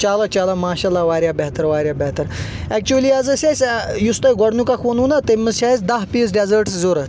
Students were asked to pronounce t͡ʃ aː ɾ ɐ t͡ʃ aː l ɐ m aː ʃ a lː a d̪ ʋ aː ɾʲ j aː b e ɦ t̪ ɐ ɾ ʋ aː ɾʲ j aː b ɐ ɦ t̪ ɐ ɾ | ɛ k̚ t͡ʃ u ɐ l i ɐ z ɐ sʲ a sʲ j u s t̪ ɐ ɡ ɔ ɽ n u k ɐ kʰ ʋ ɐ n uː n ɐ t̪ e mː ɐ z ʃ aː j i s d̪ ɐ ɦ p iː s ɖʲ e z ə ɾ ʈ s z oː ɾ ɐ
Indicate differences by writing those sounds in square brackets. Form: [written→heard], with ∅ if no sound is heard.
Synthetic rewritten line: t͡ʃ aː [ɾ→l] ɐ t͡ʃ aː l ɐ m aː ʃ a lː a [d̪→∅] ʋ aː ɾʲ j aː b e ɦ t̪ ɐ ɾ ʋ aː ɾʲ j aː b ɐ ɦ t̪ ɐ ɾ | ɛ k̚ t͡ʃ u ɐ l i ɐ z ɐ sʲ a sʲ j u s t̪ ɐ ɡ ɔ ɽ n u k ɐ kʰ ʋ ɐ n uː n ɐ t̪ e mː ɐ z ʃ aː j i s d̪ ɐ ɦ p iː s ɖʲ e z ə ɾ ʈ s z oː ɾ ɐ